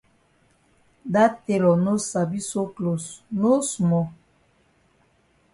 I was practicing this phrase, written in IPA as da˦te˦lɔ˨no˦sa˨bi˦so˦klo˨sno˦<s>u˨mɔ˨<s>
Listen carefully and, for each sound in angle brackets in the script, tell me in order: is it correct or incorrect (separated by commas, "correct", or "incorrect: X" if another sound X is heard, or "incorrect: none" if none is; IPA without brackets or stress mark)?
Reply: correct, incorrect: none